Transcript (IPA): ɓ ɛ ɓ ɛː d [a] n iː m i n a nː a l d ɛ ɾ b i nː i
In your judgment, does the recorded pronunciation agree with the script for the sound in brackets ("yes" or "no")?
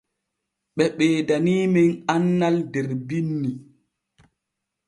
yes